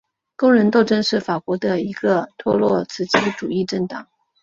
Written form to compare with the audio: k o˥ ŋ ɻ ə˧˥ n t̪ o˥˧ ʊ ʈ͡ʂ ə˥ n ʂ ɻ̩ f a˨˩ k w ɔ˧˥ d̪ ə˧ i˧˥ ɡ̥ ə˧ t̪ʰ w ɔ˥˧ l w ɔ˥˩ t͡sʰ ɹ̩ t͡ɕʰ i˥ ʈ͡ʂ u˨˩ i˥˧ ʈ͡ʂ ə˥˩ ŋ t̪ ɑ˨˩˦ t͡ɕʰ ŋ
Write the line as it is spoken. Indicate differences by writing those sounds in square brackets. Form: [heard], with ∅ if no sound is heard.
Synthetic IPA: k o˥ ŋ ɻ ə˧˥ n t̪ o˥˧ ʊ ʈ͡ʂ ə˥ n ʂ ɻ̩ f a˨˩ k w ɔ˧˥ d̪ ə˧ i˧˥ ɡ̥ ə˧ t̪ʰ w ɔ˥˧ l w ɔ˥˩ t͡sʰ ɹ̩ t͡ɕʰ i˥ ʈ͡ʂ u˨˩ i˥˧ ʈ͡ʂ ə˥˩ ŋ t̪ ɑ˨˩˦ [∅] ŋ

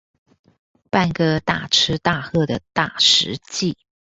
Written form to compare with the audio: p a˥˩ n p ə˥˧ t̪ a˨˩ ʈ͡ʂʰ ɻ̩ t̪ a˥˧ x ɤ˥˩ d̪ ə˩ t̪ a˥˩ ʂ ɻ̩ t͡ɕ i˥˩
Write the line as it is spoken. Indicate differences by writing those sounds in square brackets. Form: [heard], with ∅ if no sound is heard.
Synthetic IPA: p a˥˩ n [k] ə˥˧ t̪ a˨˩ ʈ͡ʂʰ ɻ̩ t̪ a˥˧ x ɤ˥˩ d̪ ə˩ t̪ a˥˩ ʂ ɻ̩ t͡ɕ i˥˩

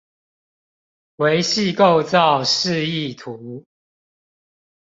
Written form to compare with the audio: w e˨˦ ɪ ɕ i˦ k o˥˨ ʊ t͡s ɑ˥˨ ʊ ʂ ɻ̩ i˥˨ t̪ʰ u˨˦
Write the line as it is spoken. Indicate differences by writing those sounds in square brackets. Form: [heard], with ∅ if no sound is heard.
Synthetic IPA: w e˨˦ ɪ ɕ [i˥˨] k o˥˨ ʊ t͡s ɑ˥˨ ʊ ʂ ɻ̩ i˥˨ t̪ʰ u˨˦

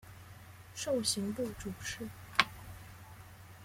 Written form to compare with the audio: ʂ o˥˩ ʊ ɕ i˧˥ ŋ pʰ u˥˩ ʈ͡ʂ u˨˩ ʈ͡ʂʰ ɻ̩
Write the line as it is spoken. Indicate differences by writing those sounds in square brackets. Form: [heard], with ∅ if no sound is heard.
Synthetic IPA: ʂ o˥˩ ʊ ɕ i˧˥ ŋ [p] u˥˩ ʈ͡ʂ u˨˩ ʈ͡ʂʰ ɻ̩

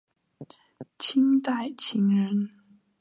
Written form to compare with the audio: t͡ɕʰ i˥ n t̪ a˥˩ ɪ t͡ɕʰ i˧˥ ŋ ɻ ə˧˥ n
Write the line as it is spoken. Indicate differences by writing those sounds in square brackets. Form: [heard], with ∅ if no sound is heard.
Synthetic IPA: t͡ɕʰ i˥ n t̪ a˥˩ ɪ t͡ɕʰ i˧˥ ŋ ɻ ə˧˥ n

